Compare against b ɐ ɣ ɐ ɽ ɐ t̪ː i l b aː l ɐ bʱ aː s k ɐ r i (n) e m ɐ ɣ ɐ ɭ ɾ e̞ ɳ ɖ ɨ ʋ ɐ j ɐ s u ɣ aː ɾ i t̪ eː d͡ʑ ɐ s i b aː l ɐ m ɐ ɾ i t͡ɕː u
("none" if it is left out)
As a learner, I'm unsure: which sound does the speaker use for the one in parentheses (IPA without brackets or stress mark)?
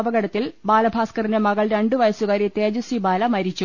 n